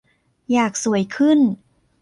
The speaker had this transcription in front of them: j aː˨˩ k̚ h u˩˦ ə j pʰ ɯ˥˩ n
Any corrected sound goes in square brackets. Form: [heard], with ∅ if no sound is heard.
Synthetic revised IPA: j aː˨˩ k̚ [s] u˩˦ ə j [kʰ] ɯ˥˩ n

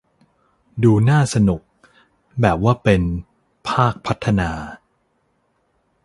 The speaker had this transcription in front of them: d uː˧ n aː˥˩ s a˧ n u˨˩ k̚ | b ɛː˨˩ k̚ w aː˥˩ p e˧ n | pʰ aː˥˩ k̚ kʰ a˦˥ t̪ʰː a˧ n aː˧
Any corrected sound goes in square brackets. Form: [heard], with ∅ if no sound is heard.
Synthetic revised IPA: d uː˧ n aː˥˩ s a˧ n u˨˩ k̚ | b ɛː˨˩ [p̚] w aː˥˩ p e˧ n | pʰ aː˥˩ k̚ [pʰ] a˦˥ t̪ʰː a˧ n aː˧

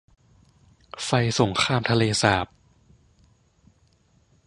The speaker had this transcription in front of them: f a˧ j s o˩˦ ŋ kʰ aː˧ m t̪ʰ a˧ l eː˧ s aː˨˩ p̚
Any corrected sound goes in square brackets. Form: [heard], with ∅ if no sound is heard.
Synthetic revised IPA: f a˧ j s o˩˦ ŋ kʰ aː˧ m t̪ʰ a˧ l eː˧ s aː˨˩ p̚

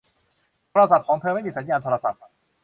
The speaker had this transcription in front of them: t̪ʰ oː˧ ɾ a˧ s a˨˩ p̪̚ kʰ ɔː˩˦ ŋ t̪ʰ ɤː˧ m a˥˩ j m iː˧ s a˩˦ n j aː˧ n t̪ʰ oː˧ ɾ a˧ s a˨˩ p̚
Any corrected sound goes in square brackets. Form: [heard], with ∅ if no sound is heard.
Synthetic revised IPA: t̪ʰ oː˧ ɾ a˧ s a˨˩ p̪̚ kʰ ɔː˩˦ ŋ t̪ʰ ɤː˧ m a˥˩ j m iː˧ s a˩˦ n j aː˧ n t̪ʰ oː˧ ɾ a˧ s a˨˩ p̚

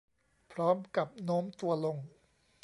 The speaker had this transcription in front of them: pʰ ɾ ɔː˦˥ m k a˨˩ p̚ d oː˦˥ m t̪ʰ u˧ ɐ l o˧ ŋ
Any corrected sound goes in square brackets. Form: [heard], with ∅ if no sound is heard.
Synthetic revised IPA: pʰ ɾ ɔː˦˥ m k a˨˩ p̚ [n] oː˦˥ m [t̪] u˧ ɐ l o˧ ŋ

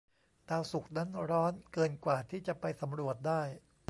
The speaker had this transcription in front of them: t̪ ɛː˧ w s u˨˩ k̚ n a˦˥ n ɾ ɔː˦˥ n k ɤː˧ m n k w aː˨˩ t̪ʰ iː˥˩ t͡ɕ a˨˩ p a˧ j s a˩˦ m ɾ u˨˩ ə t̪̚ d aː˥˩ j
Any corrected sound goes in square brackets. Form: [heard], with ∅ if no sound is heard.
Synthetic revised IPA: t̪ [aː˧] w s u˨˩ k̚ n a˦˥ n ɾ ɔː˦˥ n k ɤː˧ [∅] n k w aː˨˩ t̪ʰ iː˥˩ t͡ɕ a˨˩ p a˧ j s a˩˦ m ɾ u˨˩ ə t̪̚ d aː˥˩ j

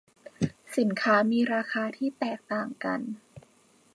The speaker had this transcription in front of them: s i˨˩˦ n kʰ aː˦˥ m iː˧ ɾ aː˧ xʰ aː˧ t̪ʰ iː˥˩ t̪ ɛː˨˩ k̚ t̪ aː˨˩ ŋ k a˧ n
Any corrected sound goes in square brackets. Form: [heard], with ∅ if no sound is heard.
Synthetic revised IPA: s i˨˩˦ n kʰ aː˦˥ m iː˧ ɾ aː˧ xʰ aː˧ t̪ʰ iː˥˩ t̪ ɛː˨˩ k̚ t̪ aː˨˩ ŋ k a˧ n

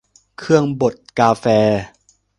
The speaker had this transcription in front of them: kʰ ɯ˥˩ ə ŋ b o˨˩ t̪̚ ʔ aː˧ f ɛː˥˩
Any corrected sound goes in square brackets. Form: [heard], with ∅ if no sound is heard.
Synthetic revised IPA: kʰ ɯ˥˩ ə ŋ b o˨˩ t̪̚ [k] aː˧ f [ɛː˧]

